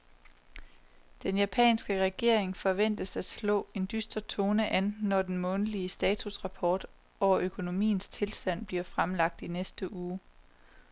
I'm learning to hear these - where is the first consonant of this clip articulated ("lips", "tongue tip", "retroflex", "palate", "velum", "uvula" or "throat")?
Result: tongue tip